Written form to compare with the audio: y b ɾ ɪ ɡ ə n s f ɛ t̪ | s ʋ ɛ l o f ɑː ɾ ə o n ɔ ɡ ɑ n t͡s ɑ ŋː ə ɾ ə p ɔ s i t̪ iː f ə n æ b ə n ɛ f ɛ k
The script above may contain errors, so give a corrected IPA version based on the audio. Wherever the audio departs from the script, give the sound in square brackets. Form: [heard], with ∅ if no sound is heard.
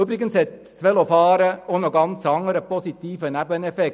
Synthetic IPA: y b ɾ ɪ ɡ ə n s [h] ɛ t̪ | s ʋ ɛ l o f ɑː ɾ ə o n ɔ ɡ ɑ n t͡s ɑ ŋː ə ɾ ə p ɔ s i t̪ iː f ə n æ b ə n ɛ f ɛ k

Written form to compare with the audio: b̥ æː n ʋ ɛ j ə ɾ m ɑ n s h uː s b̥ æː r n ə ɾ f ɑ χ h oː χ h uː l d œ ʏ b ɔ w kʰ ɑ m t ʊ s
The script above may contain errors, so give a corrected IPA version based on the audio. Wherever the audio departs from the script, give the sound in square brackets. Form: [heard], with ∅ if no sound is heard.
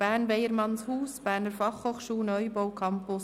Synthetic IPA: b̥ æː n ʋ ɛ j ə ɾ m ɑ n s h uː s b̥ æː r n ə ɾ f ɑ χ h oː χ [ʃ] uː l [n] œ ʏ b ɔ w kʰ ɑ m [p] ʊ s

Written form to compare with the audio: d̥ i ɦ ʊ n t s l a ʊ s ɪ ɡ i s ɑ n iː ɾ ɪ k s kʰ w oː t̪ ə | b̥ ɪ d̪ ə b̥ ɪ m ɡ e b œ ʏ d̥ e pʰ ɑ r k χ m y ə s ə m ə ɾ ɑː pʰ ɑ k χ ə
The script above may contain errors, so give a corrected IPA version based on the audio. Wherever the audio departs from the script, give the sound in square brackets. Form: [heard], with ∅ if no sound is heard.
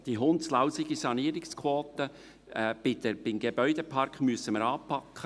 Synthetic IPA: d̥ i ɦ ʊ n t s l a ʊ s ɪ ɡ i s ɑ n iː ɾ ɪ k s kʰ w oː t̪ ə | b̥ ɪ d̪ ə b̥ ɪ m ɡ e b œ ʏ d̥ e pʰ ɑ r k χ m y ə s ə m ə ɾ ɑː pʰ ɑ k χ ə

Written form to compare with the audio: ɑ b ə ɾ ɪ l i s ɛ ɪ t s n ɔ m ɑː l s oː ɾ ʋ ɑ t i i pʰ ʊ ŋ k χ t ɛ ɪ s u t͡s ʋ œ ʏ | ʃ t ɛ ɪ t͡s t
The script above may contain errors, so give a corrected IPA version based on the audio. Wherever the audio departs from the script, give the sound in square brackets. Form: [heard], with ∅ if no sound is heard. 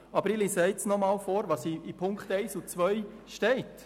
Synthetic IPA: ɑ b ə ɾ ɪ l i s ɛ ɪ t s n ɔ m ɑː l [f] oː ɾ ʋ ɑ [s] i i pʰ ʊ ŋ k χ t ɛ ɪ s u t͡s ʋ œ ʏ | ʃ t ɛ ɪ [∅] t

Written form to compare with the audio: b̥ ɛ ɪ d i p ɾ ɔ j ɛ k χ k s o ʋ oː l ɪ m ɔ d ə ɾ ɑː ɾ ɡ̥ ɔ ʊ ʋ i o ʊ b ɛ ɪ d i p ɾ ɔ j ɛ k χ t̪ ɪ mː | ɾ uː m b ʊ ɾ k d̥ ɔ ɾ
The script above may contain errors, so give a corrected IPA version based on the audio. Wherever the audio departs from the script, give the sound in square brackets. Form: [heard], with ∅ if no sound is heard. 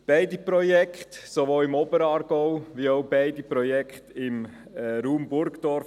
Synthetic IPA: b̥ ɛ ɪ d i p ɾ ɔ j ɛ k χ [t] s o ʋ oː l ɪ m ɔ [b] ə ɾ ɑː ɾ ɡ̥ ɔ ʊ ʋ i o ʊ b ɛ ɪ d i p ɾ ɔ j ɛ k χ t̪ ɪ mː | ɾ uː m b ʊ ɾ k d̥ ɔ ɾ

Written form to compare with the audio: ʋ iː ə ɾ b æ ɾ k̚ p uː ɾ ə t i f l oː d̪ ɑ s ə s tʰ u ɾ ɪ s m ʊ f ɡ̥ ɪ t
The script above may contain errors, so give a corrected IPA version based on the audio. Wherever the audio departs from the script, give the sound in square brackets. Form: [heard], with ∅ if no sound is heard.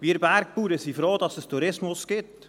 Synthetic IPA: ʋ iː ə ɾ b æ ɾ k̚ p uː ɾ ə [s] i f [ɾ] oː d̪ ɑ s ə s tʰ u ɾ ɪ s m ʊ [s] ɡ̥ ɪ t

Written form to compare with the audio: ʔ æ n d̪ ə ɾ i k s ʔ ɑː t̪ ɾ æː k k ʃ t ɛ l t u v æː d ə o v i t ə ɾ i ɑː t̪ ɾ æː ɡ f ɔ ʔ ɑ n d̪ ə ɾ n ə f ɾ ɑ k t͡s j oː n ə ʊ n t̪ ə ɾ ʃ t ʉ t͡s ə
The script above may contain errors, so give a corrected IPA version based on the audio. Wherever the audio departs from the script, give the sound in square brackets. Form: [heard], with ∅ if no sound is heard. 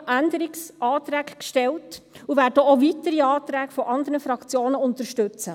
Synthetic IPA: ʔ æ n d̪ ə ɾ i k s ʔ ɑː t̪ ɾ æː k k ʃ t ɛ l t u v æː d ə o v i t ə ɾ i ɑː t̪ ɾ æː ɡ f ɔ ʔ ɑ n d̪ ə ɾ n ə f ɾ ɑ k t͡s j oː n ə ʊ n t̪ ə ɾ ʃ t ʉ t͡s ə

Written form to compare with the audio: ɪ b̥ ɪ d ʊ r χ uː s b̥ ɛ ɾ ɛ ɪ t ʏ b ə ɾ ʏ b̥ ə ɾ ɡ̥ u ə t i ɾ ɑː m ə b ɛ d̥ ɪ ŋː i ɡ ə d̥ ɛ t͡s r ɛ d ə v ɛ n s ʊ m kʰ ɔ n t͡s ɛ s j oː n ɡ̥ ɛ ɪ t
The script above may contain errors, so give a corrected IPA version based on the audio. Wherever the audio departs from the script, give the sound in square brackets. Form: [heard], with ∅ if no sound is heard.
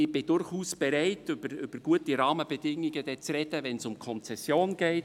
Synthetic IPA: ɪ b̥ ɪ d ʊ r χ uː s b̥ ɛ ɾ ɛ ɪ t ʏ b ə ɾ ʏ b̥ ə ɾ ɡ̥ u ə t i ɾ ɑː m ə b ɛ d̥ ɪ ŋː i ɡ ə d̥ ɛ t͡s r ɛ d ə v ɛ n s ʊ m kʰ ɔ n t͡s ɛ s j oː n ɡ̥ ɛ ɪ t

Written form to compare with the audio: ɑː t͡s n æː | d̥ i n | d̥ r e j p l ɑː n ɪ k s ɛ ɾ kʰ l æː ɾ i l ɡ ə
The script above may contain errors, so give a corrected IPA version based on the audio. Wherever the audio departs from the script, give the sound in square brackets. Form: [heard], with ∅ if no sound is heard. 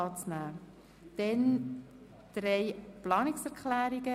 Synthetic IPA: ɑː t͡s n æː | d̥ [ɛ] n | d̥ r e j p l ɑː n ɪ k s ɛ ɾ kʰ l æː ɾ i [∅] ɡ ə

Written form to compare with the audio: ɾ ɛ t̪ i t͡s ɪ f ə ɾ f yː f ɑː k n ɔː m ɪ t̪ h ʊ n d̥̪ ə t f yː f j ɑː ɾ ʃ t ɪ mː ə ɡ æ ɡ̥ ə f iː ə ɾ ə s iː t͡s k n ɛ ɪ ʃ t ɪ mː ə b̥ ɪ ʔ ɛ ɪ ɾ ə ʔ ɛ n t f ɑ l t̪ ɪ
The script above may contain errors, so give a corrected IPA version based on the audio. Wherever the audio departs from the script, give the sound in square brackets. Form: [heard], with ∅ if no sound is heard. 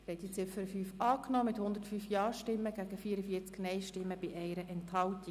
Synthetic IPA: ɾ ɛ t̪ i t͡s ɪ f ə ɾ f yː f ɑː k n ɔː m ɪ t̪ h ʊ n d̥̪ ə t f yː f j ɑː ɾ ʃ t ɪ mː ə ɡ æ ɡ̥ ə f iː ə ɾ ə [f] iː t͡s k n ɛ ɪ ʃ t ɪ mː ə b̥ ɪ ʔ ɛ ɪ ɾ ə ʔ ɛ n t [h] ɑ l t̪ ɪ

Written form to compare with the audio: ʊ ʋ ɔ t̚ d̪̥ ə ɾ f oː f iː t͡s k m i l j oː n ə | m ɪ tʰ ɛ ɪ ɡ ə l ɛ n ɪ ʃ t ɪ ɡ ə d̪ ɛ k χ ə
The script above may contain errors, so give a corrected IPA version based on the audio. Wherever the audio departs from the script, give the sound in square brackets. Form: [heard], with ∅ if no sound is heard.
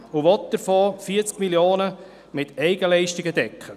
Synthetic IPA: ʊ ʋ ɔ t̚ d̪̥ ə ɾ f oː f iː t͡s k m i l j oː n ə | m ɪ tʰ ɛ ɪ ɡ ə l ɛ [∅] ɪ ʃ t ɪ ɡ ə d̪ ɛ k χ ə

